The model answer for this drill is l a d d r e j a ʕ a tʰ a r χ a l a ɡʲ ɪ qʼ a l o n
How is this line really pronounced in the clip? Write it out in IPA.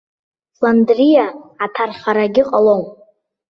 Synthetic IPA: l a n d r i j a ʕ a tʰ a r χ a ɾ a ɡʲ ɪ qʼ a l o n